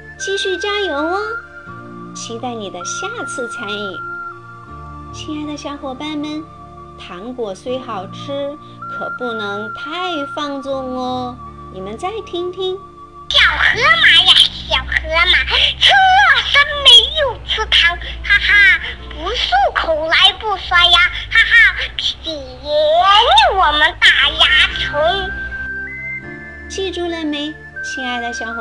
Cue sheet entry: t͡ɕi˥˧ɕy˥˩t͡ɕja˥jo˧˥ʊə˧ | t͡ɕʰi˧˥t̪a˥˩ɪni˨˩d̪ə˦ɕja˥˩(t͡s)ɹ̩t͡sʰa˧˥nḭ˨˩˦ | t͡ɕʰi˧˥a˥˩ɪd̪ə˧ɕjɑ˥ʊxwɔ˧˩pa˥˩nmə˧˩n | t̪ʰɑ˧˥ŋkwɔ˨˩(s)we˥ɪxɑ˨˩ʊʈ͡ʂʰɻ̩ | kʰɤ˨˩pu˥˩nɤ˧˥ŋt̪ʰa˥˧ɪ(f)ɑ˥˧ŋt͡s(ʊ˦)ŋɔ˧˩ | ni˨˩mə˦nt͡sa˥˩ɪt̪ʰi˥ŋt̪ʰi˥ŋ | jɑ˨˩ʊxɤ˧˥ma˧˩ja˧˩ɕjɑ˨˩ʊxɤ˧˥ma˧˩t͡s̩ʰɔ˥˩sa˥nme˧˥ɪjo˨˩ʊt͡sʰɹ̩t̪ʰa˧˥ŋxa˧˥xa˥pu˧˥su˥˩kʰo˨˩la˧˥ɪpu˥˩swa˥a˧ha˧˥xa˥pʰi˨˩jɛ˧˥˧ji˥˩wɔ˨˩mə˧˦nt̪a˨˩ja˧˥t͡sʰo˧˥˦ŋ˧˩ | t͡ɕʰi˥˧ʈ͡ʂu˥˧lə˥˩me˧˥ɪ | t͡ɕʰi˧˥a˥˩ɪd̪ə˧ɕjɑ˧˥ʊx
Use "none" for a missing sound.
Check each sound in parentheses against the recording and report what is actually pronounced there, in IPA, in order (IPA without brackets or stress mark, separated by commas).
t͡sʰ, s, f, ʊ˥˩